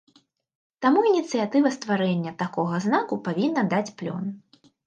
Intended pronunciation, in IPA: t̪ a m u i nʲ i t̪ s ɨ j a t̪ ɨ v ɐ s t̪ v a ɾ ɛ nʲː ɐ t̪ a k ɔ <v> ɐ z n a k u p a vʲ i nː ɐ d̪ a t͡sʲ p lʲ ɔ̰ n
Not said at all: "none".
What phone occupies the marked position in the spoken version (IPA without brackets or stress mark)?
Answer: ɣ